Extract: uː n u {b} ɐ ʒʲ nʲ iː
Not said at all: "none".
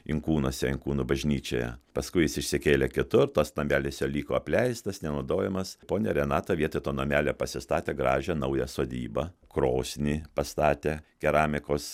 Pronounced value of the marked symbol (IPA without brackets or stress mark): b